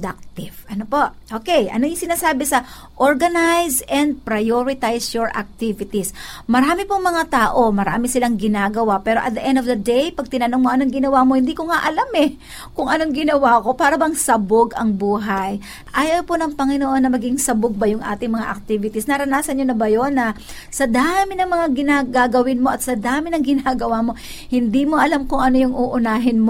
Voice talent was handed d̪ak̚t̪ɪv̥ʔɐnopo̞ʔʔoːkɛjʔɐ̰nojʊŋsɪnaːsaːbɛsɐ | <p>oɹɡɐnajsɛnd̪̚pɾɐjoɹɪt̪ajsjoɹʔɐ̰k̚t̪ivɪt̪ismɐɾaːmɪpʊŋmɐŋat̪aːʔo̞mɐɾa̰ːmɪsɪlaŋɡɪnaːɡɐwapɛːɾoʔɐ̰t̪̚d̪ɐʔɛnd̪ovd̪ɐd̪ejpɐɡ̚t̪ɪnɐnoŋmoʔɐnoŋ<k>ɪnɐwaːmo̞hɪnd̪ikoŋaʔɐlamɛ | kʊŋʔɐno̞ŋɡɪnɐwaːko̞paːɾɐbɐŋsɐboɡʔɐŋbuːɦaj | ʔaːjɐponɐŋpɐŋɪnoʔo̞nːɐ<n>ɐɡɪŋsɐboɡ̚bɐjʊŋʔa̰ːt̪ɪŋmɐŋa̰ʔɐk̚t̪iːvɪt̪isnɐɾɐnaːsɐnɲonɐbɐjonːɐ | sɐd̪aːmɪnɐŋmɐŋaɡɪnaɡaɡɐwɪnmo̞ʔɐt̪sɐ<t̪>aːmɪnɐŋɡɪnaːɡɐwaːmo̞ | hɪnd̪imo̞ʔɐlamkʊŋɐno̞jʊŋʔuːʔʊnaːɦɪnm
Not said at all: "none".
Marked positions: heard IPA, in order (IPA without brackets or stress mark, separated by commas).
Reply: ʔ, ɡ, m, d̪